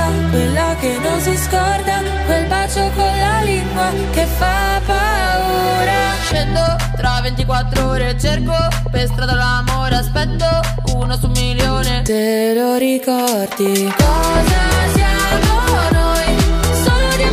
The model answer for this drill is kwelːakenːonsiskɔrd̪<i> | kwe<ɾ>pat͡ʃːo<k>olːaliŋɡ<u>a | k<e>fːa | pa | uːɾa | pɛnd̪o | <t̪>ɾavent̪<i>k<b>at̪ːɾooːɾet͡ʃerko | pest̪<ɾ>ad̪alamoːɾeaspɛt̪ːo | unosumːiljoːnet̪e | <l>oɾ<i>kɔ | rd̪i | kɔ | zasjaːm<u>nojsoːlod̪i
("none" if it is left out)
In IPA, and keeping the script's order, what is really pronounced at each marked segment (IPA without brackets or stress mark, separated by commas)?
a, l, k, w, e, t̪, i, w, ɾ, l, i, o